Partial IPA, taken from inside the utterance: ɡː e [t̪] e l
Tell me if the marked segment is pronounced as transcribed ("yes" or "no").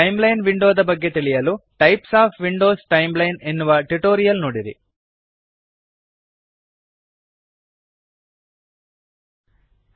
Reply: yes